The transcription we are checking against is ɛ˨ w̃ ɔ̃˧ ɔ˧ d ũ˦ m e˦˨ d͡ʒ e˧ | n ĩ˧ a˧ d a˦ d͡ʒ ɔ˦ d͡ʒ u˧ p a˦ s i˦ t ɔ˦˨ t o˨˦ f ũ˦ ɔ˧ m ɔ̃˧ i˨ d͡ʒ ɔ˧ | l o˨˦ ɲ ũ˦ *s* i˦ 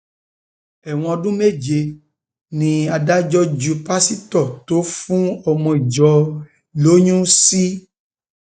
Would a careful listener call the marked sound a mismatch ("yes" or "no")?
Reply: no